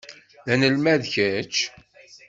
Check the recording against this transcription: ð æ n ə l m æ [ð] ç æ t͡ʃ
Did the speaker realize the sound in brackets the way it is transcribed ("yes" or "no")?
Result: yes